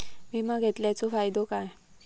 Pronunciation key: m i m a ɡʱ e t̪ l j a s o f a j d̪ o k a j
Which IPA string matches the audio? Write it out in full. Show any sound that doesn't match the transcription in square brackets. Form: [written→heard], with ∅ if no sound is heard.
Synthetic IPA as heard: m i m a ɡʱ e t̪ l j a [s→t͡s] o f a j d̪ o k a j